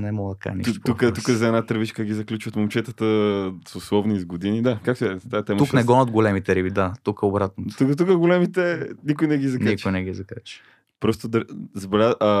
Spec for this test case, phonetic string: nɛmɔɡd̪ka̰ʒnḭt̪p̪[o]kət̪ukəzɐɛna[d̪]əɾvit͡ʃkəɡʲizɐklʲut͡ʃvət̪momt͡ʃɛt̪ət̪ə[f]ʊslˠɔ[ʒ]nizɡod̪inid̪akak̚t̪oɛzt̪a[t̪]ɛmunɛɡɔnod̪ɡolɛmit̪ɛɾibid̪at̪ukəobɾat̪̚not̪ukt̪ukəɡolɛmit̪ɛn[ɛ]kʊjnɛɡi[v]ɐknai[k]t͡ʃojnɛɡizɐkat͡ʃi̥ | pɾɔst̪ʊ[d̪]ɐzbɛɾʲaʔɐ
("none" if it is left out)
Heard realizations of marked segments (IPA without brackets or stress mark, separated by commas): u, t̪, s, v, t̪, i, z, k, d̪